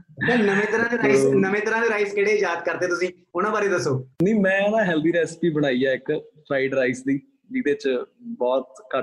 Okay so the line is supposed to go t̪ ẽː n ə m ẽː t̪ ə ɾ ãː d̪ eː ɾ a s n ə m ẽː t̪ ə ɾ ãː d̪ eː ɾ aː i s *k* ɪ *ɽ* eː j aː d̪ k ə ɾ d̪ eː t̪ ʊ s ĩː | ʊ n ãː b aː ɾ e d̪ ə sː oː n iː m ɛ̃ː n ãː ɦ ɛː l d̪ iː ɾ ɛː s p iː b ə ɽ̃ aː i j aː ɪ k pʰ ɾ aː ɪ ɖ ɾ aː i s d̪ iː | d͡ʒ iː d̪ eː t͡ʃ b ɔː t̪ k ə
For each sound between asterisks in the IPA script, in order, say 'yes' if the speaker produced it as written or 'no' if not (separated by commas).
yes, yes